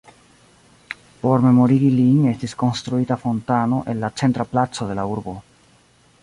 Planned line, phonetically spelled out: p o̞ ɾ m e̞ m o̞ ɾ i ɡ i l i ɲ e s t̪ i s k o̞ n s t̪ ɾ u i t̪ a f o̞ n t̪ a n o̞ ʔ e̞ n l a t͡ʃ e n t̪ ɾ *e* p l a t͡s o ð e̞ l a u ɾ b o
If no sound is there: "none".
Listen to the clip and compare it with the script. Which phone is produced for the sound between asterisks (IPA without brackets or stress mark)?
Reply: a